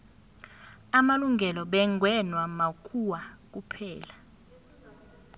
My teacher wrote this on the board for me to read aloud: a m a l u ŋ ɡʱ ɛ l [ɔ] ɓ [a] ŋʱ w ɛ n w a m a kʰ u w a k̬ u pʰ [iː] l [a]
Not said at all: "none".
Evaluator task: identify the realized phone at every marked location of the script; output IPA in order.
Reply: ɔ, ɛ, ɛː, a

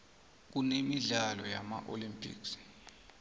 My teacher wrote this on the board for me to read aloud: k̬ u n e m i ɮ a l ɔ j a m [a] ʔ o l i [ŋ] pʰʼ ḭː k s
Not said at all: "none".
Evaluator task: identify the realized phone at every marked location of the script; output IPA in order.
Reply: a, m

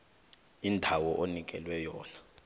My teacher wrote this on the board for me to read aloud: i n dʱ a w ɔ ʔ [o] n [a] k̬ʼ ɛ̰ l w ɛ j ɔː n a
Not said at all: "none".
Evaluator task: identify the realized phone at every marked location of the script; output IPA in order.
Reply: o, i

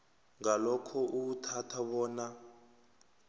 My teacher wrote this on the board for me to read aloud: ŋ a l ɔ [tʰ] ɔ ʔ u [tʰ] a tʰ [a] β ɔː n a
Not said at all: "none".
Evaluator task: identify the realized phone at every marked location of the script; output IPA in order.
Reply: kʰ, tʰ, a

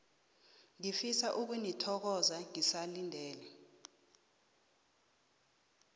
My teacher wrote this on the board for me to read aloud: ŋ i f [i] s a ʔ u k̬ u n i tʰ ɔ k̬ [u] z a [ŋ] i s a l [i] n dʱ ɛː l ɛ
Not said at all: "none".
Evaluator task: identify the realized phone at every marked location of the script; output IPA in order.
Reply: i, ɔ, ŋ, i

